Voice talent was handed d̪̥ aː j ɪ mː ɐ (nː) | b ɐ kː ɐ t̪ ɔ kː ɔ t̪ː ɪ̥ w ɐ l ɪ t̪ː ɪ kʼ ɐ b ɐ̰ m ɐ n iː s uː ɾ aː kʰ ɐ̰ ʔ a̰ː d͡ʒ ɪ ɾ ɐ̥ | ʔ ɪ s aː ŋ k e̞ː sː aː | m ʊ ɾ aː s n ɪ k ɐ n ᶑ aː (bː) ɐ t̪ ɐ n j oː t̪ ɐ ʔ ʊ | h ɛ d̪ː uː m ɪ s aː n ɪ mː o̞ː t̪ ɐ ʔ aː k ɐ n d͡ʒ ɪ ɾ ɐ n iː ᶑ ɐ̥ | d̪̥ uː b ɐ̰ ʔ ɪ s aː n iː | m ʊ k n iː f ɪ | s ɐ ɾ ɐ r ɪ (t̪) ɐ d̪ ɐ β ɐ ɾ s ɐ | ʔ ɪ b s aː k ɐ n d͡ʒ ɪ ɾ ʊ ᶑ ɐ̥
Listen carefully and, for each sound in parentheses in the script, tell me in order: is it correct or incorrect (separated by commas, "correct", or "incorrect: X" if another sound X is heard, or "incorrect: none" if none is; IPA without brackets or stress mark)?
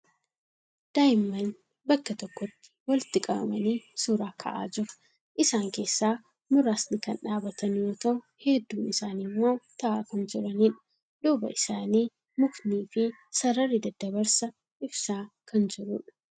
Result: incorrect: n, incorrect: b, incorrect: d̪